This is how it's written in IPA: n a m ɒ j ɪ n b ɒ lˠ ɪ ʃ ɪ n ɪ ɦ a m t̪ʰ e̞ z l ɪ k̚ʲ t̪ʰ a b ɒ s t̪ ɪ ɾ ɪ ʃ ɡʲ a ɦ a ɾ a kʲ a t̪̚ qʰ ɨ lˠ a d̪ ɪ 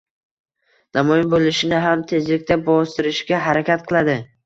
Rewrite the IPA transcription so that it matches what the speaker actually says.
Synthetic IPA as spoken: n a m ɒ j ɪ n b o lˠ ɪ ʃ ɪ n ɪ ɦ a m t̪ʰ e̞ z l ɪ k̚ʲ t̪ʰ a b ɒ s t̪ ɪ ɾ ɪ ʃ ɡʲ a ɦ a ɾ a kʲ a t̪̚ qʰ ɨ lˠ a d̪ ɪ